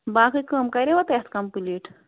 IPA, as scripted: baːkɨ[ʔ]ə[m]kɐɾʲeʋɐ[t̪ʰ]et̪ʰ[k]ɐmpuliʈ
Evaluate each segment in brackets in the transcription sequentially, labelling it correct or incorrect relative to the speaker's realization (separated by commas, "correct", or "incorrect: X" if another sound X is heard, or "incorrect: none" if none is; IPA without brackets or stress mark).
incorrect: k, correct, incorrect: t̪, correct